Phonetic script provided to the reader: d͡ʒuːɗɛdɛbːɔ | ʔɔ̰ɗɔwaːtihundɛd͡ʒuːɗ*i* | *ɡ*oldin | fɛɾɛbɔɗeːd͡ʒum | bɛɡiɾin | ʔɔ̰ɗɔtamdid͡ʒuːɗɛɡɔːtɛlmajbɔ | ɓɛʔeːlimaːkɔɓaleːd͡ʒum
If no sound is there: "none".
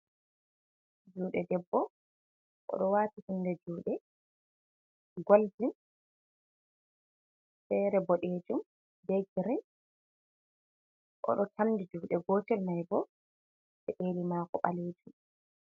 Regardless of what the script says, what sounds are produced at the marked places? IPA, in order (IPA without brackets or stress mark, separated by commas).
ɛ, ɡ